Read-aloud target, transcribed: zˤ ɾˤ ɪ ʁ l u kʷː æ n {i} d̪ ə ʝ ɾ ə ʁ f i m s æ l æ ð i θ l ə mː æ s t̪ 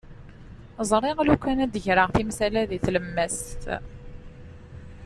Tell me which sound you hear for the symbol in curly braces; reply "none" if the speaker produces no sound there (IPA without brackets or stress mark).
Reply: æ